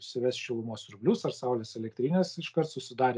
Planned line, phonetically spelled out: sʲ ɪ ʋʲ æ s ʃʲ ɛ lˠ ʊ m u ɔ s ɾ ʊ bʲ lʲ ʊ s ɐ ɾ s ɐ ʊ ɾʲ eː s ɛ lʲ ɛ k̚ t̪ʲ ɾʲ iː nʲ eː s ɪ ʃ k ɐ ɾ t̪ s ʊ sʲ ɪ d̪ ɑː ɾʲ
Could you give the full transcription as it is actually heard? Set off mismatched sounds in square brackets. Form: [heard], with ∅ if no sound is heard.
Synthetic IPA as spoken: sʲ ɪ ʋʲ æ s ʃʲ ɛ lˠ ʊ m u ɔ s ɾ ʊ bʲ lʲ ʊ s ɐ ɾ s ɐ ʊ [lʲ] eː s ɛ lʲ ɛ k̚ t̪ʲ ɾʲ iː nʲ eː s ɪ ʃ k ɐ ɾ t̪ s ʊ sʲ ɪ d̪ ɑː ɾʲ